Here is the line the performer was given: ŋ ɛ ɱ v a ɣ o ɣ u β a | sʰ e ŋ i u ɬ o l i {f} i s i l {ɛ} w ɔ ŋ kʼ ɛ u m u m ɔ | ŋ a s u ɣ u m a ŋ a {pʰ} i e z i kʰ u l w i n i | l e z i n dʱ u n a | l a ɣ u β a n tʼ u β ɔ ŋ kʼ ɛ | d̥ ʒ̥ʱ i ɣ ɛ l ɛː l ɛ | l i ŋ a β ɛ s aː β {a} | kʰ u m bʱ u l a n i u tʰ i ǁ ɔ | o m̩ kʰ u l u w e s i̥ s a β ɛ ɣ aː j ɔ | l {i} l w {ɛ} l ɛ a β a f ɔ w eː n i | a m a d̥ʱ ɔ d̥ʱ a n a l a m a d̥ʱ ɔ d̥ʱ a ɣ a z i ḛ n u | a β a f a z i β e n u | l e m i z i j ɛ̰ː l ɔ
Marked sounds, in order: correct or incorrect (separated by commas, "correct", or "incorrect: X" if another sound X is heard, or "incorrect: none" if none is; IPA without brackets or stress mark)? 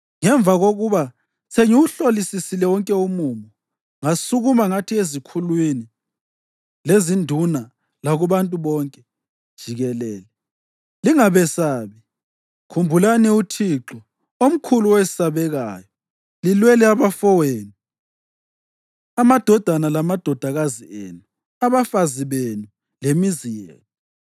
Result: incorrect: s, correct, incorrect: tʰ, incorrect: i, correct, correct